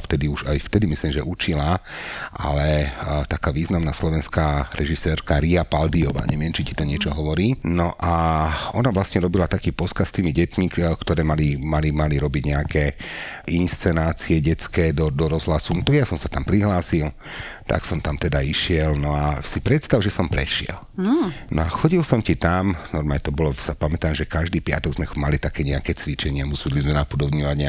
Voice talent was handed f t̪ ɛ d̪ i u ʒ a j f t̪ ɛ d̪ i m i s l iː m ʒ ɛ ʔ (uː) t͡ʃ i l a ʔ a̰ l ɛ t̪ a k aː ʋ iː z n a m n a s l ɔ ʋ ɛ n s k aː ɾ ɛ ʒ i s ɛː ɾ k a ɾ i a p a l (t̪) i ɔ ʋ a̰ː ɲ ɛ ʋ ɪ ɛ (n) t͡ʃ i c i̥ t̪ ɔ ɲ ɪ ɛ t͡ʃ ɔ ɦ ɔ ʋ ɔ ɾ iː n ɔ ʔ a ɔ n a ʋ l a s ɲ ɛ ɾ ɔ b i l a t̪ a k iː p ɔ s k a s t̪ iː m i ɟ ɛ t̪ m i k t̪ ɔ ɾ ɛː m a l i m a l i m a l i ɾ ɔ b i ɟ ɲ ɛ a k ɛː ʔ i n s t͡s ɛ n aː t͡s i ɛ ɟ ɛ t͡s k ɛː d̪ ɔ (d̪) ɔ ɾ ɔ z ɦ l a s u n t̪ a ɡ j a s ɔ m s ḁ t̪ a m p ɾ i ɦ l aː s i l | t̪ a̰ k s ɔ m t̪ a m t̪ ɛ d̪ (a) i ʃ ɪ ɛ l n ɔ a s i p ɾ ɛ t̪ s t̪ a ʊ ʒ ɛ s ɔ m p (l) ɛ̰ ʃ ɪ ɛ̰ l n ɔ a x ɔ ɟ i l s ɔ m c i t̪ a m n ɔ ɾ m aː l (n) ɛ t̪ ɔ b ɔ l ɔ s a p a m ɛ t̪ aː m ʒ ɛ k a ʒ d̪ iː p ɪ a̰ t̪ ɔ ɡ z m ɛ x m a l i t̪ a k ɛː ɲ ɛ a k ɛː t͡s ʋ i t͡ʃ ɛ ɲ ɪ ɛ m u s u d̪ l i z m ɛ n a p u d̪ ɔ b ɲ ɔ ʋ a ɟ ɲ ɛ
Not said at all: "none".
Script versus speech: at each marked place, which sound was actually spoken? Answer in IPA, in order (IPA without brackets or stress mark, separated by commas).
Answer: u, d̪, m, d̪, a, ɾ, ɲ